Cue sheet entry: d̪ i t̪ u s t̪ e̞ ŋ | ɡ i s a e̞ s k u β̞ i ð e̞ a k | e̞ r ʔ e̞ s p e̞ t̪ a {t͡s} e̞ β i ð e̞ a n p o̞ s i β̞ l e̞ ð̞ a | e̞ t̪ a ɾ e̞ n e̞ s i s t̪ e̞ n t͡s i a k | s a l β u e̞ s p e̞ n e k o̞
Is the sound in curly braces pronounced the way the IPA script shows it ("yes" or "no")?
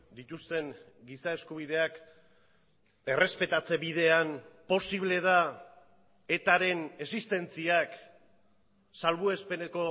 yes